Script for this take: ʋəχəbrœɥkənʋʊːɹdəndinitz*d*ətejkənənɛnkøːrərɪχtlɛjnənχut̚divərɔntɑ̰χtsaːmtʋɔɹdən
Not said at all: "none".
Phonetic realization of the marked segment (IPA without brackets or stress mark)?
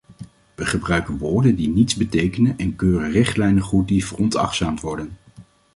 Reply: b